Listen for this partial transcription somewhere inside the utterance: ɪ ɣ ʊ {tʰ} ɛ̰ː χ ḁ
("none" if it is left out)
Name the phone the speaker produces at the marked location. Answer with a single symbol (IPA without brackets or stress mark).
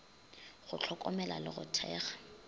tʰ